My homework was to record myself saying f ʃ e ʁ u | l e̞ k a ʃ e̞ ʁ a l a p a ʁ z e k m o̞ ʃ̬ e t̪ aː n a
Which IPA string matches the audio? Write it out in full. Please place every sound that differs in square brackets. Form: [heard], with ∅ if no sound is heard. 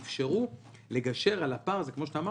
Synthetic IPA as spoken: f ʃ e ʁ u | l e̞ [ɡ] a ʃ e̞ ʁ a l a p a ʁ z e k m o̞ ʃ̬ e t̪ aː [m] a